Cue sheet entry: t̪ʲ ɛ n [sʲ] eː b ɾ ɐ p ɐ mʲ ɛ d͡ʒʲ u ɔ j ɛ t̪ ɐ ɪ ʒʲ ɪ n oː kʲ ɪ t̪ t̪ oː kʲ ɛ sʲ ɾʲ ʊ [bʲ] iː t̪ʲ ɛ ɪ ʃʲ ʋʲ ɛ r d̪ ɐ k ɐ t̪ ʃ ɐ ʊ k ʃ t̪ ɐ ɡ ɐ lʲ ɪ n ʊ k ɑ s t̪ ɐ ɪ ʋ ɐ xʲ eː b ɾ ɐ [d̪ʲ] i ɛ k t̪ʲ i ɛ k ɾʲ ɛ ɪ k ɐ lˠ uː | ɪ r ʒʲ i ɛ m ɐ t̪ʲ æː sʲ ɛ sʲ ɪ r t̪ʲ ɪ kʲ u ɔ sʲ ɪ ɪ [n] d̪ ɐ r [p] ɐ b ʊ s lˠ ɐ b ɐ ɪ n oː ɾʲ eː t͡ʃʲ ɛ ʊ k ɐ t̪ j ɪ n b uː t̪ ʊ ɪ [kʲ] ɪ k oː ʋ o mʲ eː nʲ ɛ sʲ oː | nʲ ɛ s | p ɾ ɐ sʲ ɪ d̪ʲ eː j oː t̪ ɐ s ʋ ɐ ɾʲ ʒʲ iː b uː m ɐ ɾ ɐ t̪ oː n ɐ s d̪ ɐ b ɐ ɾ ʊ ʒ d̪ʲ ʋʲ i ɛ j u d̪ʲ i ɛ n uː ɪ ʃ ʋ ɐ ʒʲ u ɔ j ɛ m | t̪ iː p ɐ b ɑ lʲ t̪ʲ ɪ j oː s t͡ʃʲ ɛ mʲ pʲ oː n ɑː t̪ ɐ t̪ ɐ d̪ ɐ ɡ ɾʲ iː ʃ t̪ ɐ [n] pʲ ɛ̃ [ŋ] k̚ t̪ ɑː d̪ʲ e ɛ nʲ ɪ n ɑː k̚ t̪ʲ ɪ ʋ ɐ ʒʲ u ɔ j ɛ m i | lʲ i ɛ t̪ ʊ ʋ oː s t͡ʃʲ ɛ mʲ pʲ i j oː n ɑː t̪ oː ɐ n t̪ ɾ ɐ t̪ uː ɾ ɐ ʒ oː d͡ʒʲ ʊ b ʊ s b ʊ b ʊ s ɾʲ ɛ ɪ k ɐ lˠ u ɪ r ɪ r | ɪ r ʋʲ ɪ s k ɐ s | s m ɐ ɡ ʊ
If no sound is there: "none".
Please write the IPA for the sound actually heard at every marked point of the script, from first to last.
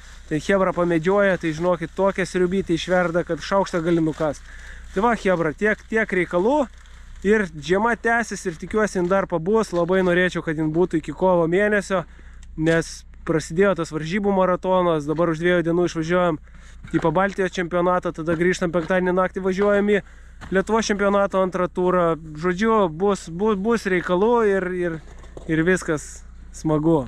xʲ, bʲ, t̪ʲ, n, p, kʲ, m, ŋ

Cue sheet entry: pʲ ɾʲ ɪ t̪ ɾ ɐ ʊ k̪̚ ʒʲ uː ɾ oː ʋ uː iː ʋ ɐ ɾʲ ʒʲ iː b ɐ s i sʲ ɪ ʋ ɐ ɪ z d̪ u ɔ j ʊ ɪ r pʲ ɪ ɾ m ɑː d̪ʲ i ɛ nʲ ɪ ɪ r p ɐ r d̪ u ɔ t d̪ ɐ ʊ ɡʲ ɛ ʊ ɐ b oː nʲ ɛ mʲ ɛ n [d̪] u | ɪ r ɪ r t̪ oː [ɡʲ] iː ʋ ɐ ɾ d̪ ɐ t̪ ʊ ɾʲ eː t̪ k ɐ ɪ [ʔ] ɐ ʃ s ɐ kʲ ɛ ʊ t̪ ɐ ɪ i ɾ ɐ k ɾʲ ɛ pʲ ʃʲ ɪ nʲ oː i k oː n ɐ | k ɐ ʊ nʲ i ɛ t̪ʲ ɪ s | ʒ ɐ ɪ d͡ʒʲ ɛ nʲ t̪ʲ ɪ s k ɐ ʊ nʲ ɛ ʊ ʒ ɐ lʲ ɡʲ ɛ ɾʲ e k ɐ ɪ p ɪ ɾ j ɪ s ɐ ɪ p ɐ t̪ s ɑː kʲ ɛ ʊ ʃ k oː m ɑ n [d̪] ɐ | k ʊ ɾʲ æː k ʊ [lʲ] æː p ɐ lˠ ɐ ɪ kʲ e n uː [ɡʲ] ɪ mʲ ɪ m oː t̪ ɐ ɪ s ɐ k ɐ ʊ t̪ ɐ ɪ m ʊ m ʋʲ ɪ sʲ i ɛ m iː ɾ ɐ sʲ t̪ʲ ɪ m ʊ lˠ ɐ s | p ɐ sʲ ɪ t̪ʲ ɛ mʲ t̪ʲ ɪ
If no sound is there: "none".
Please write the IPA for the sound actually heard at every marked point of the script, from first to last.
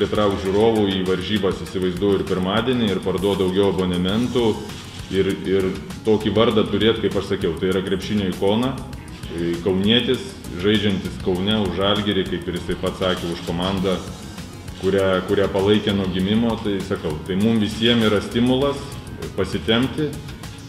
t̪, kʲ, p, d̪, ɾʲ, ɡʲ

